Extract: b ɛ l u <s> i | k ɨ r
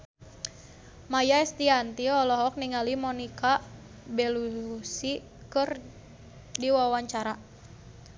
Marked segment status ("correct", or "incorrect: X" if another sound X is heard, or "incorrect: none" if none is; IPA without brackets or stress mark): correct